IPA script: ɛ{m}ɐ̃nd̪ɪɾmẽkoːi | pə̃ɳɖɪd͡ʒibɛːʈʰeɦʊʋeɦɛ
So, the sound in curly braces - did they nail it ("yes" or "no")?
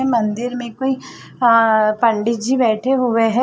yes